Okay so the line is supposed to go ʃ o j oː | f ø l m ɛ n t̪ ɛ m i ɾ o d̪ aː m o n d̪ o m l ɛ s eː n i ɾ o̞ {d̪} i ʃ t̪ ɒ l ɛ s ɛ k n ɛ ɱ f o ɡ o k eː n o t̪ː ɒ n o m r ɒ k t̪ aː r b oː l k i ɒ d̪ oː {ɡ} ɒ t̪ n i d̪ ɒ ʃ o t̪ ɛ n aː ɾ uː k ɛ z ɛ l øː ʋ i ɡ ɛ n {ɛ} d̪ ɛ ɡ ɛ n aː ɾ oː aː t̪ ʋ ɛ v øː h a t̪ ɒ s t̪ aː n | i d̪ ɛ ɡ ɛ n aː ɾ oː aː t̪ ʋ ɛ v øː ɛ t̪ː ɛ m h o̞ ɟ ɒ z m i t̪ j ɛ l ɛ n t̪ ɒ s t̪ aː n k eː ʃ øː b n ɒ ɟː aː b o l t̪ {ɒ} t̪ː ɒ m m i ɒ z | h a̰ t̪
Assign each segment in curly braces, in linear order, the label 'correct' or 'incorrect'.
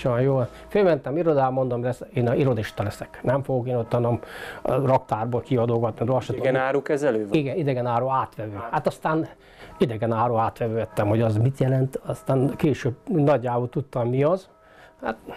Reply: correct, correct, incorrect: i, incorrect: u

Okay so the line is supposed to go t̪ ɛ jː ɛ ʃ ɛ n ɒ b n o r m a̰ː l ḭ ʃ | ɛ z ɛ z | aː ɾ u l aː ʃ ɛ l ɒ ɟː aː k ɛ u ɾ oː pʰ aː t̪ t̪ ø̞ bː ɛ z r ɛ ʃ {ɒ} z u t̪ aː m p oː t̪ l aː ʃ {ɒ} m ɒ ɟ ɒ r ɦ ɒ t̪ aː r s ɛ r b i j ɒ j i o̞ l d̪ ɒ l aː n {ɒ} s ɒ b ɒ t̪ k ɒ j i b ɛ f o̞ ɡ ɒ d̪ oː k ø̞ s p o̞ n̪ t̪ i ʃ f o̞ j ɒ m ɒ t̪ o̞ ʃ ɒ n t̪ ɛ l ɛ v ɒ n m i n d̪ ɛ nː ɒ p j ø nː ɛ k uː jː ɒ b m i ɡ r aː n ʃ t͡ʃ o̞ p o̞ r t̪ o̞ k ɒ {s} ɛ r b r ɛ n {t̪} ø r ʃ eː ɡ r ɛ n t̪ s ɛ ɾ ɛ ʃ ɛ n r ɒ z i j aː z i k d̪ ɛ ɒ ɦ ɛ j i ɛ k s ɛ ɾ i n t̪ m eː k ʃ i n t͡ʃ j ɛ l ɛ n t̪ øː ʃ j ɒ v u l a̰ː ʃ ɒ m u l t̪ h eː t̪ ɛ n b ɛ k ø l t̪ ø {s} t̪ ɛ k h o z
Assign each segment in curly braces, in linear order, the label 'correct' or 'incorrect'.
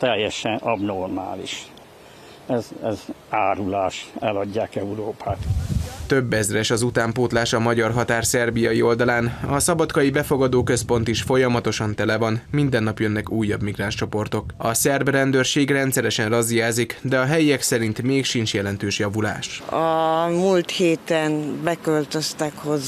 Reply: correct, correct, correct, correct, incorrect: d̪, correct

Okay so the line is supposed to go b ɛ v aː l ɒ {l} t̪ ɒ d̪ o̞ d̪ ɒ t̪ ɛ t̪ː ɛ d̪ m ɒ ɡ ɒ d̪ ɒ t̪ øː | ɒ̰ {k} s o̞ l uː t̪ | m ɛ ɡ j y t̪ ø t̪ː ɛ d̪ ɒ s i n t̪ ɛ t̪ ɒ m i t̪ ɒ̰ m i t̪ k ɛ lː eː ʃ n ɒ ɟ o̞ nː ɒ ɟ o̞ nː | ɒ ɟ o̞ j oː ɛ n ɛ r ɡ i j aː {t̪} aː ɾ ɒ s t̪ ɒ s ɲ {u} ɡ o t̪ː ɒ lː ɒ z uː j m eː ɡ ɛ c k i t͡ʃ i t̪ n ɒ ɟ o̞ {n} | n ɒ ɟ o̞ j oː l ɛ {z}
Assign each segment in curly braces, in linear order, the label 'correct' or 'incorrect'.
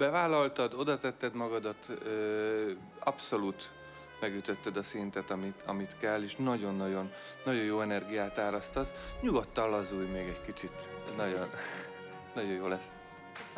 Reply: correct, incorrect: p, correct, correct, correct, incorrect: s

